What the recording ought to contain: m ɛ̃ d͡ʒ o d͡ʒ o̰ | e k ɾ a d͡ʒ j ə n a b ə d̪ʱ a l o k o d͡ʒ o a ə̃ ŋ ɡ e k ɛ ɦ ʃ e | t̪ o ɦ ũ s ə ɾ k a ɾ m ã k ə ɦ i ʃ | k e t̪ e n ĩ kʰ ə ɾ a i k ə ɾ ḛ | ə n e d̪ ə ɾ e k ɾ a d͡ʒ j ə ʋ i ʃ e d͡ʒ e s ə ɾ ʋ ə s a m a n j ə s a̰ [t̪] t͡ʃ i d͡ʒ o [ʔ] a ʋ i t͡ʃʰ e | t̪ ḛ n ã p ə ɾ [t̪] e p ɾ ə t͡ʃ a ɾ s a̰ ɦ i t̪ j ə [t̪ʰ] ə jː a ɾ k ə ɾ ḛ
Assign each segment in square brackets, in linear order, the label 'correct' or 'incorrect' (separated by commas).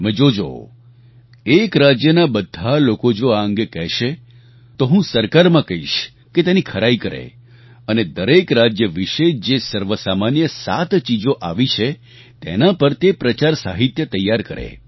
correct, correct, correct, incorrect